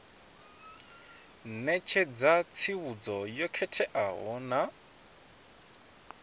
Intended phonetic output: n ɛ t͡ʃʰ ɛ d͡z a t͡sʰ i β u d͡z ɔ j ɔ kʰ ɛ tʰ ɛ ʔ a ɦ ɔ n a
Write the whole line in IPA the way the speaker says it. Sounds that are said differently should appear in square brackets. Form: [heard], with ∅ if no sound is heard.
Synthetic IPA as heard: n ɛ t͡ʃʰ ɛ d͡z a t͡sʰ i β u d͡z ɔ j ɔ kʰ ɛ tʰ ɛ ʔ a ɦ ɔ n a

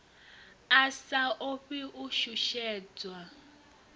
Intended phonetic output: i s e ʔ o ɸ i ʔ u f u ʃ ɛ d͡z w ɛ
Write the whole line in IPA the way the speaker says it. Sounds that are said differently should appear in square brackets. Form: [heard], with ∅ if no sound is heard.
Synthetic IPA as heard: [a] s [a] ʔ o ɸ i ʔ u [ʃ] u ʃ [ɛː] d͡z w [a]

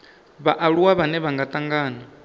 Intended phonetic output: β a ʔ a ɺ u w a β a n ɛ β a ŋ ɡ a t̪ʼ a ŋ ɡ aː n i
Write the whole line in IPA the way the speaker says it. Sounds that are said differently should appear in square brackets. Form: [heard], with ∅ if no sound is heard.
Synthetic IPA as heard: β a ʔ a ɺ u w a β a n ɛ β a ŋ ɡ a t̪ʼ a ŋ ɡ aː n [a]

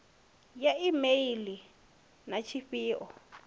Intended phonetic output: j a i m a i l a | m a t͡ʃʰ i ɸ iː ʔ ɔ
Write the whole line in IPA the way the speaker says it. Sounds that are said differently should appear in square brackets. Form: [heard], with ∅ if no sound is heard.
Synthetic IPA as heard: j a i m [e] i l [i] | [n] a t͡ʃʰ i ɸ iː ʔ ɔ

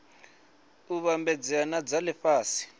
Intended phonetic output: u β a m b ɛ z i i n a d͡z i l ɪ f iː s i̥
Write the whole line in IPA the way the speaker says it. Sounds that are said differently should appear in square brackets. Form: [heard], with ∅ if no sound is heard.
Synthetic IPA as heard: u β a m b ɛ [d͡z] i [a] n a d͡z [a] l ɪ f [aː] s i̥

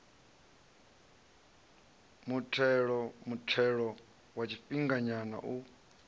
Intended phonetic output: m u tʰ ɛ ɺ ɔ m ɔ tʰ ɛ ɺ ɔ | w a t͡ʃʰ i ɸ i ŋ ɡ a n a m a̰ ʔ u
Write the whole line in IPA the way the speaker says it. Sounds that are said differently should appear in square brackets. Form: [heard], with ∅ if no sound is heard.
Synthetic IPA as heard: m u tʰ ɛ ɺ ɔ m [u] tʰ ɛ ɺ ɔ | w a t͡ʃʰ i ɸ i ŋ ɡ a [ɲ] a [n] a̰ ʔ u

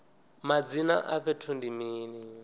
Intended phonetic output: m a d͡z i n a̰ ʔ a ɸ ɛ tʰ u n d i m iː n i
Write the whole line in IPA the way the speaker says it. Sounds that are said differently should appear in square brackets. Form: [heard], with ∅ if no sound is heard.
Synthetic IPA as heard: m a d͡z i n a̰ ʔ a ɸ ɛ tʰ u n d i m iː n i

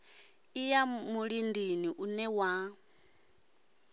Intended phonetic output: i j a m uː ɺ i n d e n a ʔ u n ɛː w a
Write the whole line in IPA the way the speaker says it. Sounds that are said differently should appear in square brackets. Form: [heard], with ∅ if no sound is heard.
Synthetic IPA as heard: i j a m [u] ɺ i n d [i] n [i] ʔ u n [ɛ] w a

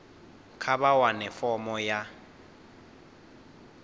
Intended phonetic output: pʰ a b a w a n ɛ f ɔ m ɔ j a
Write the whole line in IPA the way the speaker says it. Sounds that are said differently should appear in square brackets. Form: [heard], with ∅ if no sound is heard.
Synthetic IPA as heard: [kʰ] a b a w a n ɛ f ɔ m ɔ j a

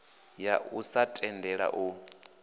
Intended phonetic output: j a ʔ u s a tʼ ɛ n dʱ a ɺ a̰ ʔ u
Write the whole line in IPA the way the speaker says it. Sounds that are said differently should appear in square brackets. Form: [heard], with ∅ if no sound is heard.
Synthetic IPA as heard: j a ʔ u s a tʼ ɛ n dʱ [ɛ] ɺ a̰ ʔ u

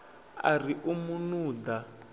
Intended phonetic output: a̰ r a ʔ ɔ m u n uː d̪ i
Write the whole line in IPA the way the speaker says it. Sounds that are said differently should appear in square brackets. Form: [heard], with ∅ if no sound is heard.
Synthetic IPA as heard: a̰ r [i] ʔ [u] m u n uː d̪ [a]

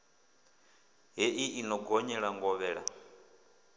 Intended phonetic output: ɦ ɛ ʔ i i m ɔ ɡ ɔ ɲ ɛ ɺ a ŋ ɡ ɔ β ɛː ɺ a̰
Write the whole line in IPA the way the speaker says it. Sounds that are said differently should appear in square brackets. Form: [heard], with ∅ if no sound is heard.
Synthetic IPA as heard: ɦ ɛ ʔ i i [n] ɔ ɡ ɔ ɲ ɛ ɺ a ŋ ɡ ɔ β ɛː ɺ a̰

